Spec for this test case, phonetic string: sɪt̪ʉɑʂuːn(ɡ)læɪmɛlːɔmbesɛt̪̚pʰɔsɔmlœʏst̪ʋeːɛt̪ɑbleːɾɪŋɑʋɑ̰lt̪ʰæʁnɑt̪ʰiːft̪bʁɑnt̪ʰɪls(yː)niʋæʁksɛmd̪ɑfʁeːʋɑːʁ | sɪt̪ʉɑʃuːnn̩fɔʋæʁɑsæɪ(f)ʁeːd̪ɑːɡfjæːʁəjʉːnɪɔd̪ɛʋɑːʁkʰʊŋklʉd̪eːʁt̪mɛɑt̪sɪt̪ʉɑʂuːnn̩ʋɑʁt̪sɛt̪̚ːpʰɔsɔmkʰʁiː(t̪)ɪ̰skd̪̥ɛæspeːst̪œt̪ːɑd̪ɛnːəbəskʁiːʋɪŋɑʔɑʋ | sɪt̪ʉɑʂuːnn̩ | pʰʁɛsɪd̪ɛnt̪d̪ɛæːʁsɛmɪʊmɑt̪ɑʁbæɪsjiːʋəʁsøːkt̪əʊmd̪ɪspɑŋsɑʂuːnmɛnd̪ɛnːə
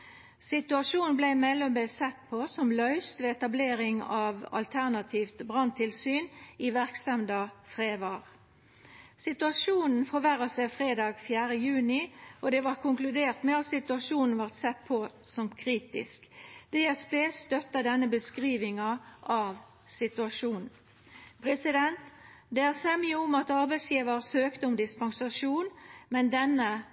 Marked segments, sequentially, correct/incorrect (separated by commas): incorrect, correct, correct, correct